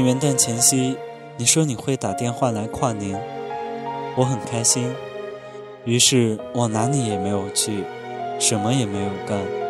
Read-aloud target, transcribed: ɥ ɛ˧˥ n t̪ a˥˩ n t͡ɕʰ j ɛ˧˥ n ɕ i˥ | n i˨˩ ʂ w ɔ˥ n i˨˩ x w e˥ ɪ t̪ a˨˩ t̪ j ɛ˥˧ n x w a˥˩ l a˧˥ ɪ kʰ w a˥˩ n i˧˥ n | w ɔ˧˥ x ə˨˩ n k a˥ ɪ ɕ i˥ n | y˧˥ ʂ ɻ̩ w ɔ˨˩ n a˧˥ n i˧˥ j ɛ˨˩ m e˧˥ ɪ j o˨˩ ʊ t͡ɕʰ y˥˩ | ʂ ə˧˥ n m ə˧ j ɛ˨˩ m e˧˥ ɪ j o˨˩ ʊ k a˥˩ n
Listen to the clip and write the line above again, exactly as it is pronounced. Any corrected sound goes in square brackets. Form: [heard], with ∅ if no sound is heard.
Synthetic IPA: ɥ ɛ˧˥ n t̪ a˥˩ n t͡ɕʰ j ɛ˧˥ n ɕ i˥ | n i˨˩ ʂ w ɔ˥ n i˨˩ x w [e˥˩] ɪ t̪ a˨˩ t̪ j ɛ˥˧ n x w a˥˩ l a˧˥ ɪ kʰ w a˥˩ n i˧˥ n | w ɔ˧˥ x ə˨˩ n [kʰ] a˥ ɪ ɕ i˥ n | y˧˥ ʂ ɻ̩ w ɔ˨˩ n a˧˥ n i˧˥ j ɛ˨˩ m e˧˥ ɪ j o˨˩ ʊ t͡ɕʰ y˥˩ | ʂ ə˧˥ n m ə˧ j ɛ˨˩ m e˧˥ ɪ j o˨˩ ʊ k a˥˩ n